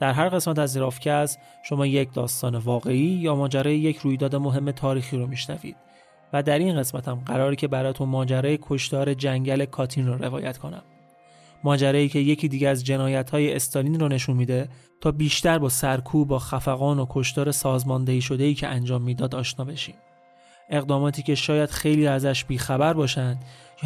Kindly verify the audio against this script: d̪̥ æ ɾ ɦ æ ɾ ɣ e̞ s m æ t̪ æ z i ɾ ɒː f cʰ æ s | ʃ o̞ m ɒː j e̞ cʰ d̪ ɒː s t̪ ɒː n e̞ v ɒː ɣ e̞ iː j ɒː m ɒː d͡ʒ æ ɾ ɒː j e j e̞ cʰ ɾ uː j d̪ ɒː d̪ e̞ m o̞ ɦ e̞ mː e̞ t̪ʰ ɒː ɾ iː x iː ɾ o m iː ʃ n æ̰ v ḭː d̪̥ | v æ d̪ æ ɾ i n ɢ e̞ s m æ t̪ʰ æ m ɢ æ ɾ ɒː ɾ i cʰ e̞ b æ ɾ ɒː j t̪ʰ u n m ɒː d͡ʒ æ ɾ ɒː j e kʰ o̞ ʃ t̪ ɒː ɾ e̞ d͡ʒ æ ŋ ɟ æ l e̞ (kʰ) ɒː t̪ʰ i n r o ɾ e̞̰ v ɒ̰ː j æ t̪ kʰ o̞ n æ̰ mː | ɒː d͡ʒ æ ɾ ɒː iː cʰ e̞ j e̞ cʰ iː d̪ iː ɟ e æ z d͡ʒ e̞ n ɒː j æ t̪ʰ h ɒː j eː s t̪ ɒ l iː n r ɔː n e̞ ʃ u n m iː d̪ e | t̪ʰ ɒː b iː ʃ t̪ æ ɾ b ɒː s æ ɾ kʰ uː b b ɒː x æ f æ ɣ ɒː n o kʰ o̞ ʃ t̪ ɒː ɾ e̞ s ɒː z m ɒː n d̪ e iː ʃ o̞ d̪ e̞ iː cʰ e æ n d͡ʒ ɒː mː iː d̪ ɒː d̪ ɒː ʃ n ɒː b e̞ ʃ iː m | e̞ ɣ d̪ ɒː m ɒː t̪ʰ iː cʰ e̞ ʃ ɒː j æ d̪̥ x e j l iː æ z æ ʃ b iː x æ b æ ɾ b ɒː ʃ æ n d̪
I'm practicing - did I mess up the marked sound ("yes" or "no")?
no